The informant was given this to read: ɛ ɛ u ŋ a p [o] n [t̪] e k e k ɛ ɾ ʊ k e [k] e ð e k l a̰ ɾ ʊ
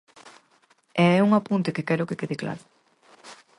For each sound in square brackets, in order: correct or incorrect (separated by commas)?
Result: incorrect, correct, correct